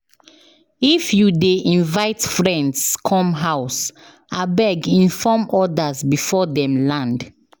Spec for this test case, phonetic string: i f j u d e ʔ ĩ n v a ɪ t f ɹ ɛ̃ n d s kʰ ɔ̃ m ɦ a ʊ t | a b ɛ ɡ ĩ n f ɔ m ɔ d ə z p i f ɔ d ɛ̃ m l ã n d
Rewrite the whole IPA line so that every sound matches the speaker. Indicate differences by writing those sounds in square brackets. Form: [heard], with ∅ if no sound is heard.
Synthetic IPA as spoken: i f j u d e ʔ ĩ n v a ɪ t f ɹ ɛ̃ n d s kʰ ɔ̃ m ɦ a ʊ [s] | a b ɛ ɡ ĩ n f ɔ m ɔ d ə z [b] i f ɔ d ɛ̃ m l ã n d